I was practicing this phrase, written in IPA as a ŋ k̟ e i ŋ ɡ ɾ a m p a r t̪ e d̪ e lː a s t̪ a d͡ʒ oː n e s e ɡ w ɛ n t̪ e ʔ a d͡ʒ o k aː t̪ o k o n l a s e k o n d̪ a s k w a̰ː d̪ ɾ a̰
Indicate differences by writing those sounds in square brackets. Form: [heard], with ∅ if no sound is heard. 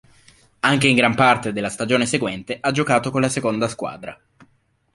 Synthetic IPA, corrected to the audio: a ŋ k̟ e i ŋ ɡ ɾ a m p a r t̪ e d̪ e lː a s t̪ a d͡ʒ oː n e s e ɡ w ɛ n t̪ e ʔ a d͡ʒ o k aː t̪ o k o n l a s e k o n d̪ a s k w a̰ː d̪ ɾ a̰